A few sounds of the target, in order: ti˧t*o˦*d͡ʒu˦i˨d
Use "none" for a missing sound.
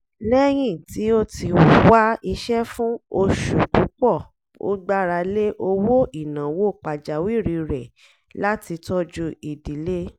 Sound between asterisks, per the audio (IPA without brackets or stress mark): ɔ˦